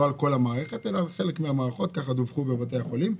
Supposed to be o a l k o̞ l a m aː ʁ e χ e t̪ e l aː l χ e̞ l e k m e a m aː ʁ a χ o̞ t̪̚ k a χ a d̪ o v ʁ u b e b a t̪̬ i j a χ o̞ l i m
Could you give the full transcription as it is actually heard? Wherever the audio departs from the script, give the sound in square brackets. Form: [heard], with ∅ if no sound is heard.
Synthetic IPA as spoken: o a l k o̞ l a m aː ʁ e χ e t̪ e l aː l χ e̞ l e k m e a m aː ʁ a χ o̞ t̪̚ k a χ a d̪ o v [χ] u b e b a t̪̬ [e] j a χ o̞ l i m